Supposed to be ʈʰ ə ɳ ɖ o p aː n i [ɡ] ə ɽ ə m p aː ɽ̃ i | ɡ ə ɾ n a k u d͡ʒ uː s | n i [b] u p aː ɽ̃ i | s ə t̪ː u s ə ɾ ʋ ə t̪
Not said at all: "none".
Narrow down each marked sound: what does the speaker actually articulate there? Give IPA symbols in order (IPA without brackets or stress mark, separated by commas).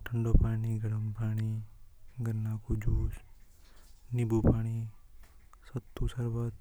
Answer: ɡ, b